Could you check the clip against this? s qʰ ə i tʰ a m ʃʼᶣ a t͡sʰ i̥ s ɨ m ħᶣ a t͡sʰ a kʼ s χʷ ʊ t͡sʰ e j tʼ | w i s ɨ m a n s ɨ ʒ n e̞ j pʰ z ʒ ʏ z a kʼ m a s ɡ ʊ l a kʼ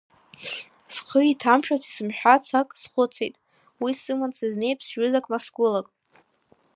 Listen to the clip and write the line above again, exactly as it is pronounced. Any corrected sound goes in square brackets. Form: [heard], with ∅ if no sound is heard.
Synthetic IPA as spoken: s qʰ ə i tʰ a m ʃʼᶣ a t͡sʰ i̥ s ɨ m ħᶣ a t͡sʰ a kʼ s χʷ ʊ t͡sʰ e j tʼ | w i s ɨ m a n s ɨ [z] n e̞ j pʰ [s] ʒ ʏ z a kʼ m a s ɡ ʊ l a kʼ